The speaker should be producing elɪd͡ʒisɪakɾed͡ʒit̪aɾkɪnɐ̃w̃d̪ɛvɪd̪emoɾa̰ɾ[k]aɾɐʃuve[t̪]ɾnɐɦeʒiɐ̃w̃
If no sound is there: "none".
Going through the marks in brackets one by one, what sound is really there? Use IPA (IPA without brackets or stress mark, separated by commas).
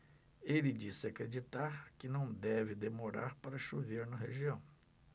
p, none